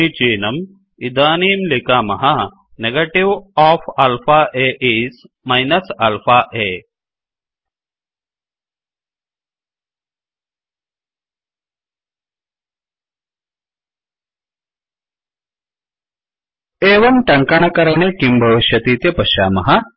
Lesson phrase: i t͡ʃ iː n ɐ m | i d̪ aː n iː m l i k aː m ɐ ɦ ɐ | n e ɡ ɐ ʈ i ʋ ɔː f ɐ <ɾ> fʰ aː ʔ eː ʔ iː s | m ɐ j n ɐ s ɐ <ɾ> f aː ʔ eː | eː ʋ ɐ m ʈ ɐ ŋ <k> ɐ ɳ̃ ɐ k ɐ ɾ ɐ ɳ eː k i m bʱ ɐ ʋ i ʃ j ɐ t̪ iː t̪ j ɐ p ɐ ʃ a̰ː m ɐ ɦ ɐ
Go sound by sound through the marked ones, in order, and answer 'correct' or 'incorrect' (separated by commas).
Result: incorrect, incorrect, correct